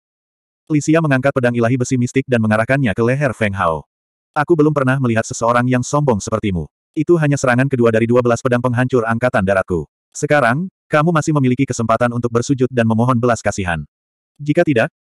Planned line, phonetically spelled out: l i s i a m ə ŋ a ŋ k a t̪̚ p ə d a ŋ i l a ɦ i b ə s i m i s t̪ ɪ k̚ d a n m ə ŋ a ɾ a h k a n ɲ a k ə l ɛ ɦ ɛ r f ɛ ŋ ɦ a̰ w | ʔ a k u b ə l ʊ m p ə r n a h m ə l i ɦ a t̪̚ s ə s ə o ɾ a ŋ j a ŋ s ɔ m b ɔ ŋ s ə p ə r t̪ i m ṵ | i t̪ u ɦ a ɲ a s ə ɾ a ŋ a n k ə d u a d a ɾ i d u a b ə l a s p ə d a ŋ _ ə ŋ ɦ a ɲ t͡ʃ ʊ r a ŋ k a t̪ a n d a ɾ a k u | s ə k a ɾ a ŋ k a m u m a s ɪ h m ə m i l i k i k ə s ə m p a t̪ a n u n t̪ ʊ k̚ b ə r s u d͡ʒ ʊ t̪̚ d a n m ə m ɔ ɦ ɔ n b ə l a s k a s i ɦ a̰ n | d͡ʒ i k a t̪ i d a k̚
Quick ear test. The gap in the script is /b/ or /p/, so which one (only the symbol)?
p